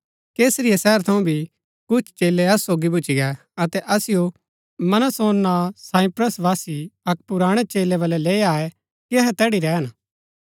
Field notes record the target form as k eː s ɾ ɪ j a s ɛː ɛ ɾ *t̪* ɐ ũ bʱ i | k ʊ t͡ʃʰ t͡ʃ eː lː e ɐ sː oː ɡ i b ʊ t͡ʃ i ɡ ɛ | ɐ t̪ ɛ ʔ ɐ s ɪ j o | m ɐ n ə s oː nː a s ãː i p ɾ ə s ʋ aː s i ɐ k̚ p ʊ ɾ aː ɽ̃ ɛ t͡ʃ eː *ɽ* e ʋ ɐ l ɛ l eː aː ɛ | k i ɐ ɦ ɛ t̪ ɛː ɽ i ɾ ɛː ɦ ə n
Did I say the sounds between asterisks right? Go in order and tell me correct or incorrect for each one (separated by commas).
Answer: incorrect, incorrect